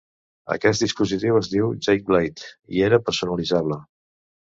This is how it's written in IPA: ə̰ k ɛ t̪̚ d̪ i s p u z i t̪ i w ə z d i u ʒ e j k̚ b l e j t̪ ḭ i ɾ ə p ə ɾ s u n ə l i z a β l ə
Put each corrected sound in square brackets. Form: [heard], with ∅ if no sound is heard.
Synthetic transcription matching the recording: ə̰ k ɛ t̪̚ d̪ i s p u z i t̪ i w ə z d i [w] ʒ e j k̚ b l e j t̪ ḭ [e] ɾ ə p ə ɾ s u n ə l i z a β l ə